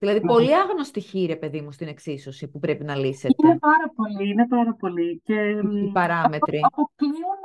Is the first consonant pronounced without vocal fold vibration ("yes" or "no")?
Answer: no